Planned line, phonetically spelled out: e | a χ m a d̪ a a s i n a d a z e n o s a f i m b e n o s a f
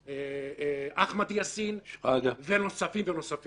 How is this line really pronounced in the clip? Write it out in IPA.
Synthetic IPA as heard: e | a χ m a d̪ i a s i n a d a v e n o s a f i m v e n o s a f